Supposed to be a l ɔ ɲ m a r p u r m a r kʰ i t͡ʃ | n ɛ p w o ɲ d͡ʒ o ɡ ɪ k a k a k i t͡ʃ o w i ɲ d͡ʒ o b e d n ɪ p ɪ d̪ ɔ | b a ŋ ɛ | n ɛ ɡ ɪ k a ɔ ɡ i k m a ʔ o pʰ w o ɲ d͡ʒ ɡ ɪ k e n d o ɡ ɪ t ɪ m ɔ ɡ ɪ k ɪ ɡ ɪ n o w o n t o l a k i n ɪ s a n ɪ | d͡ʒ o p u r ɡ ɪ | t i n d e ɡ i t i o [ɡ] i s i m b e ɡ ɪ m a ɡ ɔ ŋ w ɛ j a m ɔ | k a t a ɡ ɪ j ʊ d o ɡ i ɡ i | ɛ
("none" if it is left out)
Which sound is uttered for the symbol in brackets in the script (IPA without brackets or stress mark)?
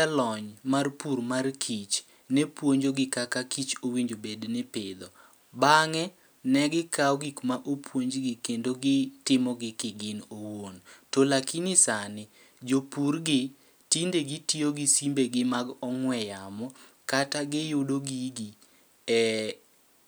ɡ